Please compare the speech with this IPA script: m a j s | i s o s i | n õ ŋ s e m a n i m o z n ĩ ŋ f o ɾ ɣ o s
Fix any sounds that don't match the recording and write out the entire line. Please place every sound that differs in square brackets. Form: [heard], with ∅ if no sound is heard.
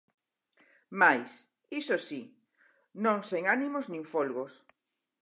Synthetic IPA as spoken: m a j s | i s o s i | n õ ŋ s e [ŋ] a n i m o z n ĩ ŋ f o [l] ɣ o s